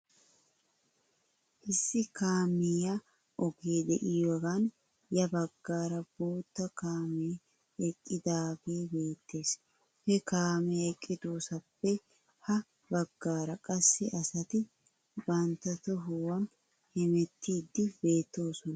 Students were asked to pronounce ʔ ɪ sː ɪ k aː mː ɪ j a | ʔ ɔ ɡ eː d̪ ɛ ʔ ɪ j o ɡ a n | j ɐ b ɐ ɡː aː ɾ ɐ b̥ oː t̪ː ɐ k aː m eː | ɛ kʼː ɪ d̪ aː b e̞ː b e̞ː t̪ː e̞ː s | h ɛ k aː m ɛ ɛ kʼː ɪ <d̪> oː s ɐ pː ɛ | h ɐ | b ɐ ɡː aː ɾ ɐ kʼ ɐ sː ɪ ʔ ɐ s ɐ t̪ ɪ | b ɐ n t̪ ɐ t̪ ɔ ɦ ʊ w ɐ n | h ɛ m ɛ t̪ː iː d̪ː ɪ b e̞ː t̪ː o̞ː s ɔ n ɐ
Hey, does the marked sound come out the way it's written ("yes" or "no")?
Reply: yes